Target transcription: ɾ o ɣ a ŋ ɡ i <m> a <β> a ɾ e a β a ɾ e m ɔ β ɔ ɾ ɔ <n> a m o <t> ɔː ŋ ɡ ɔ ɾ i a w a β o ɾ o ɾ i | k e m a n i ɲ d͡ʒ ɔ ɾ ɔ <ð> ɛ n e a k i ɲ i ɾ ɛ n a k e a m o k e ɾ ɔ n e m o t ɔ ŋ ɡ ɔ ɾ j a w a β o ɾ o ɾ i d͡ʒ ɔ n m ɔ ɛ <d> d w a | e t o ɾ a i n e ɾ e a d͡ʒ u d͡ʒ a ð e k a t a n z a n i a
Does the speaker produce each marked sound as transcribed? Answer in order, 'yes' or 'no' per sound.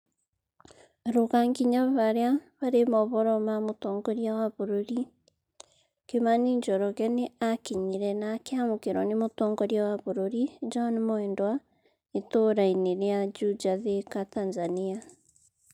no, yes, no, yes, no, no

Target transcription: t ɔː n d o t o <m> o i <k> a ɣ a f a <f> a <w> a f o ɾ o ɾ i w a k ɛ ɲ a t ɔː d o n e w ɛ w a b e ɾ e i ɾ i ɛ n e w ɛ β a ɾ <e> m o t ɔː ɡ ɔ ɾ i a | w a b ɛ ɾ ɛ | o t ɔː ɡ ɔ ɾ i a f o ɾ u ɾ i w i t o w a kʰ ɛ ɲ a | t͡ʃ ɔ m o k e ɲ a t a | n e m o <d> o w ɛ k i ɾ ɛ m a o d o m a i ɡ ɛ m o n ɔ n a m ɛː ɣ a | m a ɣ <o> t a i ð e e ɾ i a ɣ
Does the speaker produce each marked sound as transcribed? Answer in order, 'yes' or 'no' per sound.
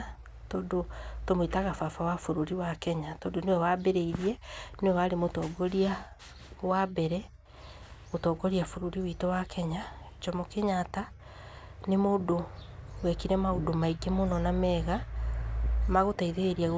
yes, no, yes, yes, yes, yes, yes

